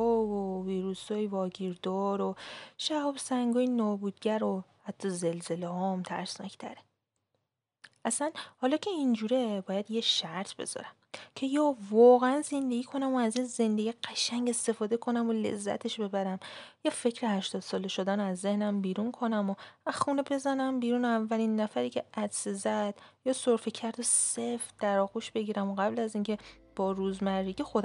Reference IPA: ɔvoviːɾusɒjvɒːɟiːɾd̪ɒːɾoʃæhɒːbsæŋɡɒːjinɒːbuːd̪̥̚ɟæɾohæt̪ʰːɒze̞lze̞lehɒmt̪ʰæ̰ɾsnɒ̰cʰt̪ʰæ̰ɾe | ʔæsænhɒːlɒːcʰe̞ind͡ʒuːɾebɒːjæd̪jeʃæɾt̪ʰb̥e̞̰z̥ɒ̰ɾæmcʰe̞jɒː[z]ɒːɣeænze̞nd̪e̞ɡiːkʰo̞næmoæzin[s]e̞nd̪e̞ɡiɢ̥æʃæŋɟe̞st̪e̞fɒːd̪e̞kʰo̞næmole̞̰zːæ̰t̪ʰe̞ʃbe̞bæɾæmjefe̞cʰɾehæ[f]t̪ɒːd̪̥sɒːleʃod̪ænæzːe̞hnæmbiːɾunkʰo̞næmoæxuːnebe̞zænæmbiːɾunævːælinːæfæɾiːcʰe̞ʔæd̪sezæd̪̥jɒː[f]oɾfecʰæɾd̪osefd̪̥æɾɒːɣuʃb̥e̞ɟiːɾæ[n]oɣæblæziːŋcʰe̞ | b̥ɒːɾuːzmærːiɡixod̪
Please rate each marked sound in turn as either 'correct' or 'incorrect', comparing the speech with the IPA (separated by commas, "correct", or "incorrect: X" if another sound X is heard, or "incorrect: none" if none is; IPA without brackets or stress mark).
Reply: incorrect: v, incorrect: z, incorrect: ʃ, incorrect: s, incorrect: m